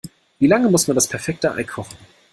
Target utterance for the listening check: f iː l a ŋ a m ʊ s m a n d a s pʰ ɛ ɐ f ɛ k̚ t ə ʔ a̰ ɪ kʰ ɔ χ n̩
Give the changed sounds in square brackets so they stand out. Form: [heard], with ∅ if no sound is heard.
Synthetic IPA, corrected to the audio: [v] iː l a ŋ [ə] m ʊ s m a n d a s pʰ ɛ ɐ f ɛ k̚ t ə ʔ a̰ ɪ kʰ ɔ χ n̩